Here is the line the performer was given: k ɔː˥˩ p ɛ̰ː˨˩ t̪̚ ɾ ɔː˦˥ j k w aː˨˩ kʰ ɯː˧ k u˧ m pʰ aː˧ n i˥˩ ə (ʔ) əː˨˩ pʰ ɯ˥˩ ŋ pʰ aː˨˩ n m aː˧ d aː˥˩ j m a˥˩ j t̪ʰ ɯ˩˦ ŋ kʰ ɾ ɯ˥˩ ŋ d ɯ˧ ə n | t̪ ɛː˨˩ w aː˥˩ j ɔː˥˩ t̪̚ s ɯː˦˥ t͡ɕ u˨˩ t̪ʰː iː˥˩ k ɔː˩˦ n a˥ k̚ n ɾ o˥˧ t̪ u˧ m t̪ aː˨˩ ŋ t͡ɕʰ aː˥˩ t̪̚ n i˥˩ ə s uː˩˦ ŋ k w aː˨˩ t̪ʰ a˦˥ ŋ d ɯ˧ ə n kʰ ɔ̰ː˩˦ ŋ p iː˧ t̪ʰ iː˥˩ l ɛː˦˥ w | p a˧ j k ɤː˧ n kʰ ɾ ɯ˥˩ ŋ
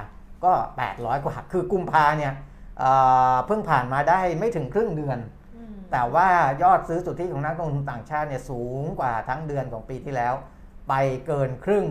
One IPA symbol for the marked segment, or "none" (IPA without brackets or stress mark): ʔ